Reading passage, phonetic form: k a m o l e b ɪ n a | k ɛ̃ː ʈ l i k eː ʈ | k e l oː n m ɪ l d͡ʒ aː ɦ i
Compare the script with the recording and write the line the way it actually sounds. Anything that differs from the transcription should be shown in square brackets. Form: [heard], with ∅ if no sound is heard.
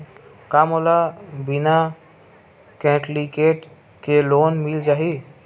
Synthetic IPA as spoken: k a m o l [a] b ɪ n a | k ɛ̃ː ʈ l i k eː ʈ | k e l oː n m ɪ l d͡ʒ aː ɦ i